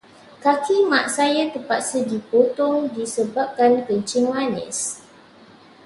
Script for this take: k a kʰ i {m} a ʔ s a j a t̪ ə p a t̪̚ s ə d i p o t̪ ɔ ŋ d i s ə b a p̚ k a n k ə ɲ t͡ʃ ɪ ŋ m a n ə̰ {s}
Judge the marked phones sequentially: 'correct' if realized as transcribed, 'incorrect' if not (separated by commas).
correct, correct